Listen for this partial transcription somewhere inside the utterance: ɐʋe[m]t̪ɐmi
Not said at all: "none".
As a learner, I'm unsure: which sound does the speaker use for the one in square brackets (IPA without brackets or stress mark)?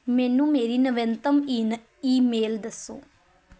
n